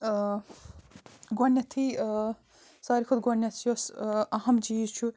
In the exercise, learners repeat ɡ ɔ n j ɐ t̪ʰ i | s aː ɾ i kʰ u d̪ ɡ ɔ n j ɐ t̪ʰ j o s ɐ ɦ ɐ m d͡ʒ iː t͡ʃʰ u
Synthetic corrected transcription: ɡ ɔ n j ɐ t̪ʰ i | s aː ɾ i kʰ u d̪ ɡ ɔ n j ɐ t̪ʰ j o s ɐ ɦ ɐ m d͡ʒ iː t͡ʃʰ u